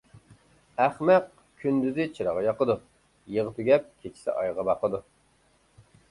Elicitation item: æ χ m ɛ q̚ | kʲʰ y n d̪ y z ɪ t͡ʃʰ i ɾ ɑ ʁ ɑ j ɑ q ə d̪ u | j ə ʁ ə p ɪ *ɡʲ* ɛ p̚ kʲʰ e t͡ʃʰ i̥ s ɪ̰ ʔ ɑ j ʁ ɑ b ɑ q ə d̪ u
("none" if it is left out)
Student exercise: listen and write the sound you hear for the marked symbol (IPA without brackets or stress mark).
ɡʲ